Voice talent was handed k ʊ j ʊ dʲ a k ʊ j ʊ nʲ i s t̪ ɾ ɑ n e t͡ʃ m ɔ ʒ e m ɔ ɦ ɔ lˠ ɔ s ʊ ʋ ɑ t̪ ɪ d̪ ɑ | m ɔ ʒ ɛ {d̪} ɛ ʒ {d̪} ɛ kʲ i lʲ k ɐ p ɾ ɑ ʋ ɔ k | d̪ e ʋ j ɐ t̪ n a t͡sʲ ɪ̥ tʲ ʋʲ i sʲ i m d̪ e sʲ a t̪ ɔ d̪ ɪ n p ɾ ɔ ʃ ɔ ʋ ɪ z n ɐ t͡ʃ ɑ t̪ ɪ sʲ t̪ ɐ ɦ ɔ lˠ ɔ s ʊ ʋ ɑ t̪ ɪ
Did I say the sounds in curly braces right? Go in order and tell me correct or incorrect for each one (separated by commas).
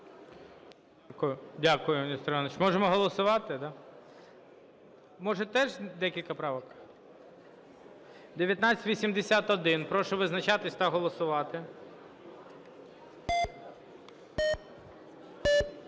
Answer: incorrect, correct